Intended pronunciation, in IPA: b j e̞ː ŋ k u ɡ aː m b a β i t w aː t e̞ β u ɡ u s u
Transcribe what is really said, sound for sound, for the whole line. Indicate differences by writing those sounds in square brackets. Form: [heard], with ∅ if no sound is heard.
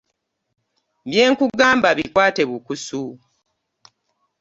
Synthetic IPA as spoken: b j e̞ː ŋ k u ɡ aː m b a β i [k] w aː t e̞ β u [k] u s u